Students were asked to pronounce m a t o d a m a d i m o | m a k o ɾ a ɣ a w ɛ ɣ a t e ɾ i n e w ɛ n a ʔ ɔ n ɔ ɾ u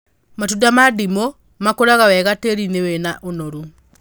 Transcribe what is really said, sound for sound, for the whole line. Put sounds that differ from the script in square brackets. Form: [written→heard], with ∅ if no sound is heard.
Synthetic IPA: m a t [o→u] d a m a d i m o | m a k o ɾ a ɣ a w ɛ ɣ a t e ɾ i n e w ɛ n a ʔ [ɔ→o] n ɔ ɾ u